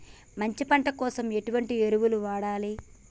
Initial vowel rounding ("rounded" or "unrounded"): unrounded